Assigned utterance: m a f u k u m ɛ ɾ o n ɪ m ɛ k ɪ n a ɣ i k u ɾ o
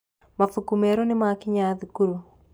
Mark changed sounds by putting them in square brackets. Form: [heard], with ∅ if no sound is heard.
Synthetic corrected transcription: m a f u k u m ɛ ɾ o n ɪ m [a] k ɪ [ɲ] a [ð] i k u ɾ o